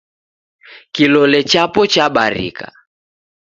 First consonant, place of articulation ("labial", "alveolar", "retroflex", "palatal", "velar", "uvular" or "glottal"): velar